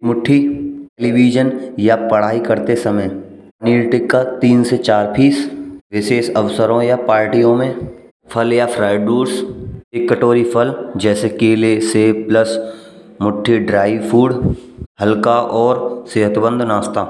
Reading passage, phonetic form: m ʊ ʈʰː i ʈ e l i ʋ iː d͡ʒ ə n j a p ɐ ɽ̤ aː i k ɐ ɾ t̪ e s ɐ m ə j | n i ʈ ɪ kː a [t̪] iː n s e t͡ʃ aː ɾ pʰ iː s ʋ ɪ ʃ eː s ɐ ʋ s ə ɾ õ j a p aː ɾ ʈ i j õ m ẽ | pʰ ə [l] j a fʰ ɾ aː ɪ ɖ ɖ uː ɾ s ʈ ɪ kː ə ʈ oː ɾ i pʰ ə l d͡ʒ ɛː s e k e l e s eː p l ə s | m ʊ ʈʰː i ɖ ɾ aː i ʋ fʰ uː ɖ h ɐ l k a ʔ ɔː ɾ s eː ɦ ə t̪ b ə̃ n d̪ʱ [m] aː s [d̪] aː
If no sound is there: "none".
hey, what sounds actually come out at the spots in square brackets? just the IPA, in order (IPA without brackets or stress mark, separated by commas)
t̪, l, n, t̪